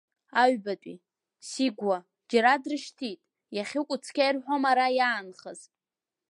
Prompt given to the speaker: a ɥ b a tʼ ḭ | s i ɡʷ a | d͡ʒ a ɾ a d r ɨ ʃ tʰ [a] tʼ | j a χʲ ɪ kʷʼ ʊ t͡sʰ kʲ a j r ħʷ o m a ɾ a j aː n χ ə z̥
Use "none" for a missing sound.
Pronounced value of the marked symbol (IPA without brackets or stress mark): i